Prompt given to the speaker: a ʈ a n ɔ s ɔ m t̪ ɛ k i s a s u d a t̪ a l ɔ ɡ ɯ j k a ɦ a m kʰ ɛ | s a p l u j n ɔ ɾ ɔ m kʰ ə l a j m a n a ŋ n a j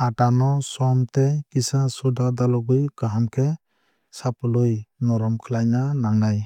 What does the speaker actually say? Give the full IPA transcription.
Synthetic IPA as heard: a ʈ a n ɔ s ɔ m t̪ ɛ k i s a s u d a d̪ a l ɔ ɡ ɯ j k a ɦ a m kʰ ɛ | s a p l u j n ɔ ɾ ɔ m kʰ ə l a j n a n a ŋ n a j